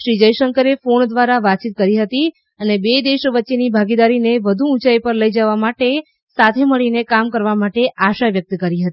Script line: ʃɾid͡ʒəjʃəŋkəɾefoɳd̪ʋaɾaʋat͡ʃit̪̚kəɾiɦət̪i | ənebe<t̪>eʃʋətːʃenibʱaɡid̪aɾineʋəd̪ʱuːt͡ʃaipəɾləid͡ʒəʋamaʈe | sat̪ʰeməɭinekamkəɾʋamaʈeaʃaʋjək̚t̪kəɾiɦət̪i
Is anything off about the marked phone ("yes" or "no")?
yes